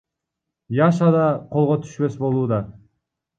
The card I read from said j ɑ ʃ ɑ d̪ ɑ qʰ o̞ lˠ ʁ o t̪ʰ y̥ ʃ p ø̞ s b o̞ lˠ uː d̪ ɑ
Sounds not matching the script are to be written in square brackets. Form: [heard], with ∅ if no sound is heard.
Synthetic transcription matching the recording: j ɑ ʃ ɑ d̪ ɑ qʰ o̞ lˠ ʁ o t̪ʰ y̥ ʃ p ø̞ s b o̞ lˠ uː d̪ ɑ